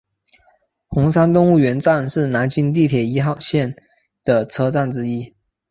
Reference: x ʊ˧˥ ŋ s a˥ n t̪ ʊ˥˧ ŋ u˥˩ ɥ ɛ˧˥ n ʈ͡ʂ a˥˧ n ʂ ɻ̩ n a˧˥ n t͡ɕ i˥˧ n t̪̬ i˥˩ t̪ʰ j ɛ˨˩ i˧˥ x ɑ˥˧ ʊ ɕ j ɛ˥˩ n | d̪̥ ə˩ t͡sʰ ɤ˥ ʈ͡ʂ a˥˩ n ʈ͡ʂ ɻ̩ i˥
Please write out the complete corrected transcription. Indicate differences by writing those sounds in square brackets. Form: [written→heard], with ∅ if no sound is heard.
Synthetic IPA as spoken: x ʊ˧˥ ŋ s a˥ n t̪ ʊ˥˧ ŋ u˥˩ ɥ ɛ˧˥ n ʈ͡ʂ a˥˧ n ʂ ɻ̩ n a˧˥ n t͡ɕ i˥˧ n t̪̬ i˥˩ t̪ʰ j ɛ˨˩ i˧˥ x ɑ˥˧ ʊ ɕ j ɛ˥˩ n | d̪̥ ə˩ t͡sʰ ɤ˥ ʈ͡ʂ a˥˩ n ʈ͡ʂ ɻ̩ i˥